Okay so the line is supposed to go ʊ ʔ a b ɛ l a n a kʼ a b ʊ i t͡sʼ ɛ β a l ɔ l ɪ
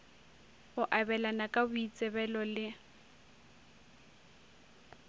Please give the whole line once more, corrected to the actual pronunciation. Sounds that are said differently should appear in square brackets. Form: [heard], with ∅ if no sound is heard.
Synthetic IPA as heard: ʊ ʔ a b ɛ l a n a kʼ a b ʊ i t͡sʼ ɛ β [ɛ] l ɔ l ɪ